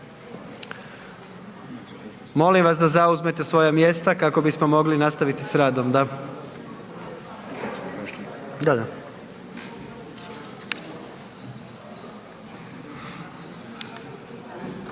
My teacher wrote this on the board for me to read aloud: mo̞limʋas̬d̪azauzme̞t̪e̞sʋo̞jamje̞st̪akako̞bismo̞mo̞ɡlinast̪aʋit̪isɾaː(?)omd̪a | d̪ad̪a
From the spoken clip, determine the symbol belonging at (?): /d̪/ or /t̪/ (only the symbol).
d̪